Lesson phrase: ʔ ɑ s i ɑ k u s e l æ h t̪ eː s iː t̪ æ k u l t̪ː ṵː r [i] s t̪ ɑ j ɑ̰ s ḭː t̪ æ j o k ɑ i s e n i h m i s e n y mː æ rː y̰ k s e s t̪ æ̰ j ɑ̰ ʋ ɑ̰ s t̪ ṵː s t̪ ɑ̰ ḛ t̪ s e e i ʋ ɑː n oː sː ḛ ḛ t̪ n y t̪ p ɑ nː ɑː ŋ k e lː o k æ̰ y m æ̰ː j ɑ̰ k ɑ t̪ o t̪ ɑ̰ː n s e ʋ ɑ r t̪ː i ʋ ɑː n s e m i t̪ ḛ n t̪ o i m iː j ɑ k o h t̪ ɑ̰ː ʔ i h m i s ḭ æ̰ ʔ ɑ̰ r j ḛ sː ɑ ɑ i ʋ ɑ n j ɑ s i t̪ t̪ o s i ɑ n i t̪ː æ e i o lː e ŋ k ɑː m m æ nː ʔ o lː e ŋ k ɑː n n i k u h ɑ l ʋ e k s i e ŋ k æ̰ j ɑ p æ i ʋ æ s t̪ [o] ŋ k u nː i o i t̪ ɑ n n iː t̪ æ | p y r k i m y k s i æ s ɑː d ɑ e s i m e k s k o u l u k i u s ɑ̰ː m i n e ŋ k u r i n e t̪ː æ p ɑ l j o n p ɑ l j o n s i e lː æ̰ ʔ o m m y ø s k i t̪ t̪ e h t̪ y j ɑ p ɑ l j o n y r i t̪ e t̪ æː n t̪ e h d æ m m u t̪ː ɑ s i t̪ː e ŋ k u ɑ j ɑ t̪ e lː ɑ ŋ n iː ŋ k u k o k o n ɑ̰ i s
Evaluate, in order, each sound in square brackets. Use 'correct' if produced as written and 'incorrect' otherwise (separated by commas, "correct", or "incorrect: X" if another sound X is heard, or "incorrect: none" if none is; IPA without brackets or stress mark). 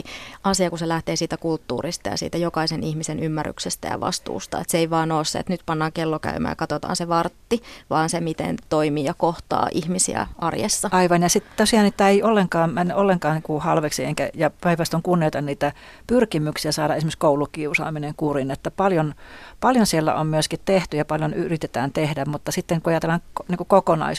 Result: correct, correct